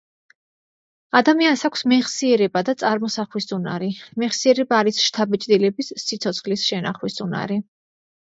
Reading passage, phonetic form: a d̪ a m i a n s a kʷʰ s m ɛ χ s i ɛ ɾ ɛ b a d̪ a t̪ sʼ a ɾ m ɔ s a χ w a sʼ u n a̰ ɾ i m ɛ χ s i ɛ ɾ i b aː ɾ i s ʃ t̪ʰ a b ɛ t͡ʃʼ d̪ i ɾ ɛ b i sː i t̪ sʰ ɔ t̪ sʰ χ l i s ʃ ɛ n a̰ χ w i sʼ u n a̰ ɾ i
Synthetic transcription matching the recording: a d̪ a m i a n s a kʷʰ s m ɛ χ s i ɛ ɾ ɛ b a d̪ a t̪ sʼ a ɾ m ɔ s a χ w i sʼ u n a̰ ɾ i m ɛ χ s i ɛ ɾ ɛ b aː ɾ i s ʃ t̪ʰ a b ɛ t͡ʃʼ d̪ i l ɛ b i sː i t̪ sʰ ɔ t̪ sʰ χ l i s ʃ ɛ n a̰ χ w i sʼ u n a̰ ɾ i